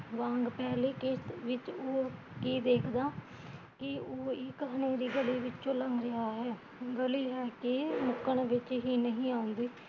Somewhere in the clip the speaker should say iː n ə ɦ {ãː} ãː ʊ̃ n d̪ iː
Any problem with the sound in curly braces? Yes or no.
yes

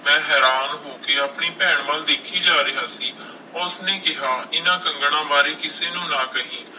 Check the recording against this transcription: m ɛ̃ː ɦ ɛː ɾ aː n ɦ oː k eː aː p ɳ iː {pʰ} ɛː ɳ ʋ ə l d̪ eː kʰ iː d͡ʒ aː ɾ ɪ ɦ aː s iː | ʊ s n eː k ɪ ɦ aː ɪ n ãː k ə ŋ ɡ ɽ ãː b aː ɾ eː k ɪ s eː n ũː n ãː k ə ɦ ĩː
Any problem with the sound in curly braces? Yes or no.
yes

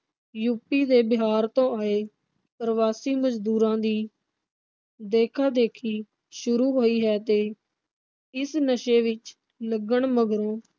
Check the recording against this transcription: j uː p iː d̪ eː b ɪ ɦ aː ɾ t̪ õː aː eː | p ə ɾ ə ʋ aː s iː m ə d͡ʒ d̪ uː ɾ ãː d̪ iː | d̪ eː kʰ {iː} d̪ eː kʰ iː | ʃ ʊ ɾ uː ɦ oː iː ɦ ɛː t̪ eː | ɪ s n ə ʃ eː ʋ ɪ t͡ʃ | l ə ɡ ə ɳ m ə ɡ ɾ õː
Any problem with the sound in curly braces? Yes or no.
yes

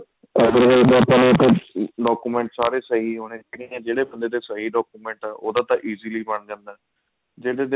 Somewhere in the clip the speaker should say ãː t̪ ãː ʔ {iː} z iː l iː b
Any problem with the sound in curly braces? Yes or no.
no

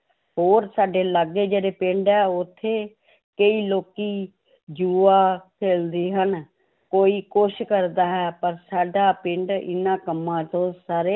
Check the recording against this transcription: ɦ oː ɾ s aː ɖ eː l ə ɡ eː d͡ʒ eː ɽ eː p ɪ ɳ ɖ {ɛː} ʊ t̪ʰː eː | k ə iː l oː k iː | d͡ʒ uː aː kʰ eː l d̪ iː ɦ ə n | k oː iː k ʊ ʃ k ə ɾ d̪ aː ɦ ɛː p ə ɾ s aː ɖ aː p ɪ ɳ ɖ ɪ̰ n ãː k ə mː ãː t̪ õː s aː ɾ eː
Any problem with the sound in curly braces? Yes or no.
no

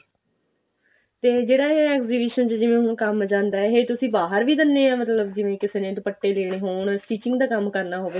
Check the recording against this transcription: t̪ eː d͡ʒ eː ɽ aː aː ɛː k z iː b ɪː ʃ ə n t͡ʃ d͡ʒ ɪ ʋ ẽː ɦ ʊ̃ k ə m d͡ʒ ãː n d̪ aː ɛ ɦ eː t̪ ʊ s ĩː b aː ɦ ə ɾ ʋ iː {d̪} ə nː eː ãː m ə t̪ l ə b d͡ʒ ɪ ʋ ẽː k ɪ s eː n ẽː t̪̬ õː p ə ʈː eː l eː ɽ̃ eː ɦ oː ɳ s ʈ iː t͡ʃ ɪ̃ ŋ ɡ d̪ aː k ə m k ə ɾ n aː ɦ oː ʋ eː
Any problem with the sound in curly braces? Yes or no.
no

